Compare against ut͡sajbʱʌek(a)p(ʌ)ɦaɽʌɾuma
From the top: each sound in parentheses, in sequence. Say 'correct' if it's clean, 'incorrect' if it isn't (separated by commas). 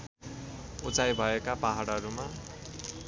correct, incorrect